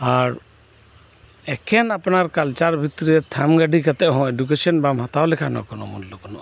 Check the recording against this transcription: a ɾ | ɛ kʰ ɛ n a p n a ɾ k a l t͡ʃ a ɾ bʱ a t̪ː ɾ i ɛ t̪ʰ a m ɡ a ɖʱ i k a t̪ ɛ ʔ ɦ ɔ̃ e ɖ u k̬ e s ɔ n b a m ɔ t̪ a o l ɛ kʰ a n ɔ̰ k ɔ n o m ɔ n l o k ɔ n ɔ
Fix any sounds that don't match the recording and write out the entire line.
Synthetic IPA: a ɾ | ɛ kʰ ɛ n a p n a ɾ k a l t͡ʃ a ɾ bʱ i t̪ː ɾ i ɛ t̪ʰ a m ɡ a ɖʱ i k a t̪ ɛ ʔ ɦ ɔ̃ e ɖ u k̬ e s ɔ n b a m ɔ t̪ a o l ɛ kʰ a n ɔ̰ k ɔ n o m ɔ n l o k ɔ n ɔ